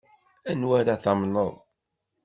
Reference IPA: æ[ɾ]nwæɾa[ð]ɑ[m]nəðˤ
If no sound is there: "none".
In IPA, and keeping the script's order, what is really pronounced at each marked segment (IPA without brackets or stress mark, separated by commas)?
none, θ, m